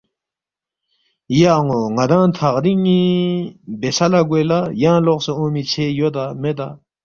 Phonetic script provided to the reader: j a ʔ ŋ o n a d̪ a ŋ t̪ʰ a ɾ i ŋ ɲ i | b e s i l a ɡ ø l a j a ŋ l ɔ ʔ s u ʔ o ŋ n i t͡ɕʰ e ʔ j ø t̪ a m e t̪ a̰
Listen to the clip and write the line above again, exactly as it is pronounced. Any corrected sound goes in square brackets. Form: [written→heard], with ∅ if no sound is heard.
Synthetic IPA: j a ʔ ŋ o [n→ŋ] a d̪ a ŋ t̪ʰ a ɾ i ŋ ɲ i | b e s [i→a] l a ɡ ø l a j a ŋ l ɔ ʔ s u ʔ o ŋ [n→m] i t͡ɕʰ e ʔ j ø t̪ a m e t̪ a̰